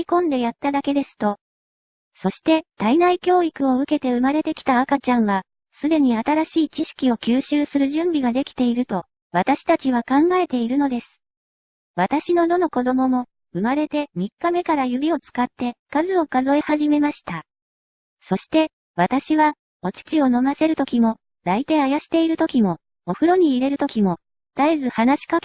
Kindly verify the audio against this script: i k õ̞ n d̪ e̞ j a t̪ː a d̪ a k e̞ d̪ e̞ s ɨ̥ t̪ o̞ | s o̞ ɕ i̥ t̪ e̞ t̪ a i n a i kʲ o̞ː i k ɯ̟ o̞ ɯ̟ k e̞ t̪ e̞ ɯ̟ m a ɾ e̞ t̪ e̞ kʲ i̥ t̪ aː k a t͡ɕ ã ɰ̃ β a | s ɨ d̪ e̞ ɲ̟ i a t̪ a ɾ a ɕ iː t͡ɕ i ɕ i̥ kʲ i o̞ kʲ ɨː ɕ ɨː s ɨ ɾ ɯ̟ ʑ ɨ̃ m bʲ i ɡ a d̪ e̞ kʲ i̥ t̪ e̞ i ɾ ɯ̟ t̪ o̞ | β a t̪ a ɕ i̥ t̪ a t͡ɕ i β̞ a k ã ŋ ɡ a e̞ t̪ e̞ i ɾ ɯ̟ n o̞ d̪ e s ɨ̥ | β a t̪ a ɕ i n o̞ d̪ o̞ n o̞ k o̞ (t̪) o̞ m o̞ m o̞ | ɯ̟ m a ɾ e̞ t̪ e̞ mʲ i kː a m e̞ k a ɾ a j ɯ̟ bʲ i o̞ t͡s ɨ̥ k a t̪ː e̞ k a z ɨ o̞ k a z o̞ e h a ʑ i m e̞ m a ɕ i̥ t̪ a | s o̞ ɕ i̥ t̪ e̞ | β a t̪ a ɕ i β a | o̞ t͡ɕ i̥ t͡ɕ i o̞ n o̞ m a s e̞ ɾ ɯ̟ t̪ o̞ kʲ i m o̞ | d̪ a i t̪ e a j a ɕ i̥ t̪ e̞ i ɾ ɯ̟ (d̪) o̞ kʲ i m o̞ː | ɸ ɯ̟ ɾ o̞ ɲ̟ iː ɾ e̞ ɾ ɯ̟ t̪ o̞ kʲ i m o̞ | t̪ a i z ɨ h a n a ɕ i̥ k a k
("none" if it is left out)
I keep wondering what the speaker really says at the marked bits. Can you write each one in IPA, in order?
d̪, t̪

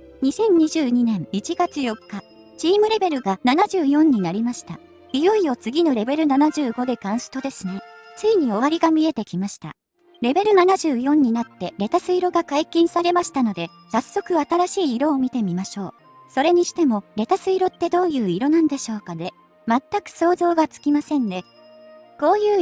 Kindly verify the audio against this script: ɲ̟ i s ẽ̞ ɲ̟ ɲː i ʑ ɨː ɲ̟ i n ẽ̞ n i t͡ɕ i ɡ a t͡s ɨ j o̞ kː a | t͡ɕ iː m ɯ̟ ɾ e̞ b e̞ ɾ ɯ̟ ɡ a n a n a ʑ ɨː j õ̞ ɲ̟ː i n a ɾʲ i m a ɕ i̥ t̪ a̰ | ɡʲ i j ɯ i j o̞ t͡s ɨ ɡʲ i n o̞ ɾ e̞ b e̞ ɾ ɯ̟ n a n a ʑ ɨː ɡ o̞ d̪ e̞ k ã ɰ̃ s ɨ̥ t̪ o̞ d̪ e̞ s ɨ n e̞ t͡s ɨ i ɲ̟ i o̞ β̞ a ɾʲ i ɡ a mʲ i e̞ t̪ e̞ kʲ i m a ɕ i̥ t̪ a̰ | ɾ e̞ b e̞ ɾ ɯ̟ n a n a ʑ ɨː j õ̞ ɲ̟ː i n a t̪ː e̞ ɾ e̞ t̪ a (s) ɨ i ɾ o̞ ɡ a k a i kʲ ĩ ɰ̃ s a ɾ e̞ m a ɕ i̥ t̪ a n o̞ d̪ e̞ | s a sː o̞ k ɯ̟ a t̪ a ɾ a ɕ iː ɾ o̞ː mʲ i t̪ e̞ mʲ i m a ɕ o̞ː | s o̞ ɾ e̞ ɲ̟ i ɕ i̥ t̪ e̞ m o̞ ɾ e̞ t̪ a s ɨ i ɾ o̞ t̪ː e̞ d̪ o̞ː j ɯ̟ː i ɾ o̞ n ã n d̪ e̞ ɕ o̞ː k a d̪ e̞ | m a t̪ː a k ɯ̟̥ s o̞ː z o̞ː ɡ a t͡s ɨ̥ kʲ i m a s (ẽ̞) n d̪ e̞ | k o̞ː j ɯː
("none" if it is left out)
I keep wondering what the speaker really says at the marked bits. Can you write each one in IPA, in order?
s, ẽ̞

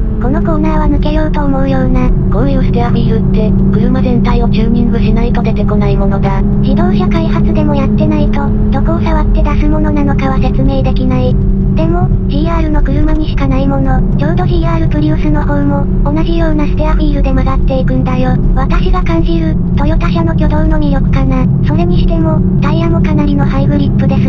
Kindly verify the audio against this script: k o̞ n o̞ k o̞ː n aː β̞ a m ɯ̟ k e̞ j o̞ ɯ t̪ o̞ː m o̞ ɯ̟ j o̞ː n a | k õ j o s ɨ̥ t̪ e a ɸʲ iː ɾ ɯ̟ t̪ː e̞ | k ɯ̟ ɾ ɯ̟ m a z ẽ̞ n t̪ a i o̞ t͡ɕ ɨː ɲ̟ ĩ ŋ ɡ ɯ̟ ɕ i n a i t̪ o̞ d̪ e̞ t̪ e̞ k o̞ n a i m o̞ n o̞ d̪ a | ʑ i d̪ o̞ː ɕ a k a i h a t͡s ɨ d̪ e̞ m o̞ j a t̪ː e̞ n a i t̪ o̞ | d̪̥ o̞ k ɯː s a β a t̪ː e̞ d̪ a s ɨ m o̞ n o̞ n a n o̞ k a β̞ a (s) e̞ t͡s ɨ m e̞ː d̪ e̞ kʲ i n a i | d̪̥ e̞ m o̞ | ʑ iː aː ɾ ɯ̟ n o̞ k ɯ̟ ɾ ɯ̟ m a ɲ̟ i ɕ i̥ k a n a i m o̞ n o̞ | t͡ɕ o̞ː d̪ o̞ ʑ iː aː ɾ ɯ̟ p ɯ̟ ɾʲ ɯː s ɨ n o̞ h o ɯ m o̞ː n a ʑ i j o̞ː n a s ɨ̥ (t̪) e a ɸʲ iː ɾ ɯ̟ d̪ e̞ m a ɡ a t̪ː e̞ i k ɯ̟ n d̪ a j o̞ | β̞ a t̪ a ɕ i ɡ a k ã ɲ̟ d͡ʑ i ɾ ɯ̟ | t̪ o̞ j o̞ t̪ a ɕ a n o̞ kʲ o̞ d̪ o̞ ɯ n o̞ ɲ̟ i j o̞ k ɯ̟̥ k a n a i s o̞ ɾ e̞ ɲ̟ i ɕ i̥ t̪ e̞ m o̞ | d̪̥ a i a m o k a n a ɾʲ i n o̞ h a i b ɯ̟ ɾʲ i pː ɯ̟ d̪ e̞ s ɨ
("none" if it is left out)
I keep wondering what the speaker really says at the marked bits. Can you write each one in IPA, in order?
s, t̪

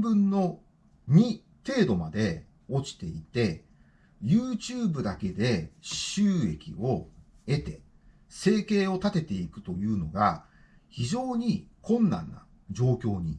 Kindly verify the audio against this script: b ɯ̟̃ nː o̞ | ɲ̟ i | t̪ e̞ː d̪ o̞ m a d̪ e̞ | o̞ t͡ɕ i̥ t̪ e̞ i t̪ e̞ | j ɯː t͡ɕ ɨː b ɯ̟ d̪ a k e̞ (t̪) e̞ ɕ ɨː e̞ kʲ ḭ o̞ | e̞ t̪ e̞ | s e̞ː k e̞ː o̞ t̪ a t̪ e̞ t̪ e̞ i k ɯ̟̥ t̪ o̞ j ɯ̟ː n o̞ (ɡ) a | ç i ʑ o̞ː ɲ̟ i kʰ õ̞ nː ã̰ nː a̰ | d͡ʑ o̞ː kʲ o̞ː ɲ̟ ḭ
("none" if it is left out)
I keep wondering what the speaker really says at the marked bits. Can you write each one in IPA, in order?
d̪, ɡ

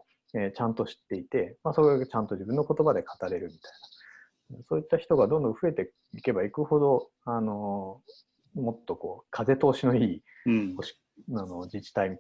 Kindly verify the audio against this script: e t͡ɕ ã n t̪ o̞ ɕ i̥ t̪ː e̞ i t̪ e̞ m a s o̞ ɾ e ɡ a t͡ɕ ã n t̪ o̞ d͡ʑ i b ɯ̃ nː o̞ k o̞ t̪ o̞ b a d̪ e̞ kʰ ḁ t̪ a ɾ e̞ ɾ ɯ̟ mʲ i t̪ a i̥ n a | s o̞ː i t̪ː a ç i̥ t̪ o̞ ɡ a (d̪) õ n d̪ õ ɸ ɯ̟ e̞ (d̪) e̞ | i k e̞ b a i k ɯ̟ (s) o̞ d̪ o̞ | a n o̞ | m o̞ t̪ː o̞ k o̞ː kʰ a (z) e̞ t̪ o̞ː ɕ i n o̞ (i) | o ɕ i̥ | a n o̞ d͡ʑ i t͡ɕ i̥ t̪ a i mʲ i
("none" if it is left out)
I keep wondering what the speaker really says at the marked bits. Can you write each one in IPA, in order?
d̪, t̪, h, z, iː

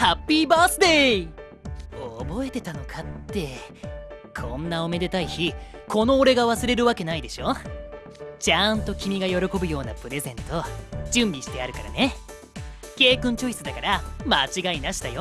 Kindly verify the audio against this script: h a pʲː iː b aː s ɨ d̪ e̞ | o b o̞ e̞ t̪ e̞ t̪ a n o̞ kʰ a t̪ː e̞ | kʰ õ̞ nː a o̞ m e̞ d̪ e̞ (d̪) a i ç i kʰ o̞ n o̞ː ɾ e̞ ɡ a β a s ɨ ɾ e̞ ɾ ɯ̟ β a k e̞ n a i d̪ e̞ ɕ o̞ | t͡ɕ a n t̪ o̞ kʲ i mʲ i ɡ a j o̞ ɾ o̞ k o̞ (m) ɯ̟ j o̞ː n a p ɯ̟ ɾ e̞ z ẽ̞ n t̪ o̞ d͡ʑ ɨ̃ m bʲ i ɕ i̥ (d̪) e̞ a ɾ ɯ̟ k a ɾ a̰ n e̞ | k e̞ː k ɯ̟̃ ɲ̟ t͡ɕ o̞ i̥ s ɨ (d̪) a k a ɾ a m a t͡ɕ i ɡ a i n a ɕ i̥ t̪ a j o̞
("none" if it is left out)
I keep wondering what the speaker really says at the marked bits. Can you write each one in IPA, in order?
t̪, b, t̪, d̪

